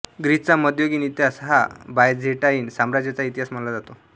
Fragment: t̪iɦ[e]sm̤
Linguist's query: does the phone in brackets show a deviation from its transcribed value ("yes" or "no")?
yes